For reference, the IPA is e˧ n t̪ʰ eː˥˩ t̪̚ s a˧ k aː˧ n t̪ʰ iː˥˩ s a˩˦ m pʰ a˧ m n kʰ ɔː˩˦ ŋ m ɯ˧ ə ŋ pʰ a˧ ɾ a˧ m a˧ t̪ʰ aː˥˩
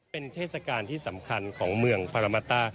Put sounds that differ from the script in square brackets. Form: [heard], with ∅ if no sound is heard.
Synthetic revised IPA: e˧ n t̪ʰ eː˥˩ t̪̚ s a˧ k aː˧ n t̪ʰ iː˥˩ s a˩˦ m [kʰ] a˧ [∅] n kʰ ɔː˩˦ ŋ m ɯ˧ ə ŋ pʰ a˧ ɾ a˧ m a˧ [t̪] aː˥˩